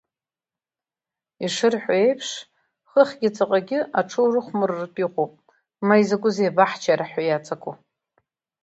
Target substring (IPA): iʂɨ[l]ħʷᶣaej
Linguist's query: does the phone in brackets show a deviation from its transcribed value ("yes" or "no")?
yes